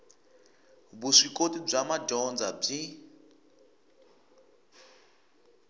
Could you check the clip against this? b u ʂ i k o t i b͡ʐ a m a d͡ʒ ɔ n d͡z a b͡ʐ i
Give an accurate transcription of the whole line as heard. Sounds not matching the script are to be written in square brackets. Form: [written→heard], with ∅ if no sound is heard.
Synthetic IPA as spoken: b u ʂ i k o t i b͡ʐ a m a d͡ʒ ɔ n d͡z a b͡ʐ i